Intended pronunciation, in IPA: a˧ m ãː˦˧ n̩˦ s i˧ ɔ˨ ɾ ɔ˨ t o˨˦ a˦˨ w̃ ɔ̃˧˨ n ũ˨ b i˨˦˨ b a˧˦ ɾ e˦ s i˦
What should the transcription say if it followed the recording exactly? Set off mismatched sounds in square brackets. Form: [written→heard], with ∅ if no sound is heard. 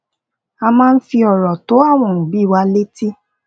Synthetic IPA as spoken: a˧ m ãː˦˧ n̩˦ [s→f] i˧ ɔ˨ ɾ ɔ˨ t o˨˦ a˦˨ w̃ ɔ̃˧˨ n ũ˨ b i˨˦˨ [b→w] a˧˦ [ɾ→l] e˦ [s→t] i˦